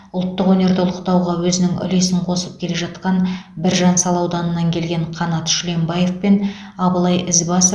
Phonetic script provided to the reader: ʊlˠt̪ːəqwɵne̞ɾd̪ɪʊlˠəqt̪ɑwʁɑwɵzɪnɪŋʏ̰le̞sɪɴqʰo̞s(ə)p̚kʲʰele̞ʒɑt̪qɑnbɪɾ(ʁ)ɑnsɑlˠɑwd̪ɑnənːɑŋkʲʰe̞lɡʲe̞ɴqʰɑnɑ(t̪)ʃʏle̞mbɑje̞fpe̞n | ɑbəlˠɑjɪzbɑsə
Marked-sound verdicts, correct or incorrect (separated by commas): correct, incorrect, correct